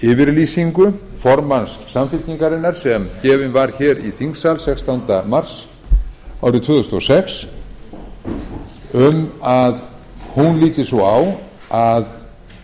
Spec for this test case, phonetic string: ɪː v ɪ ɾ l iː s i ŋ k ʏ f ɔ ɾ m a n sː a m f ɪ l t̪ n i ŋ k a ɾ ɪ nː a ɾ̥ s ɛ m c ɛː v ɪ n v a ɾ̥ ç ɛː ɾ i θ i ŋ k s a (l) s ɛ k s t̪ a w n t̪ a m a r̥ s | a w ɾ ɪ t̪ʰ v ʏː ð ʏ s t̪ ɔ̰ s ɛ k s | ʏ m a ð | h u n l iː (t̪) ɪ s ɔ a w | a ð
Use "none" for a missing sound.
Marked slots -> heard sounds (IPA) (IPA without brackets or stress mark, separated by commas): l, t̪